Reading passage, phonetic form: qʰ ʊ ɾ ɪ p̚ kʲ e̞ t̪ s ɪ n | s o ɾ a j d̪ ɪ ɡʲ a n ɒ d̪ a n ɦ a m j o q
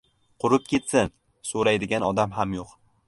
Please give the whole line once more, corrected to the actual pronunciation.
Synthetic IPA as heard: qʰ ʊ ɾ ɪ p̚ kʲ e̞ t̪ s ɪ n | s o ɾ a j d̪ ɪ ɡʲ a n ɒ d̪ a m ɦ a m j o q